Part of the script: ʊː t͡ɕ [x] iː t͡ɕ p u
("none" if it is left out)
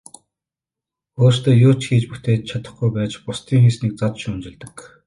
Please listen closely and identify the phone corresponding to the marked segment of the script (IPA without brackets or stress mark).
x